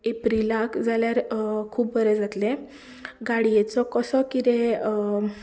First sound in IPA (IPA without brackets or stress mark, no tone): e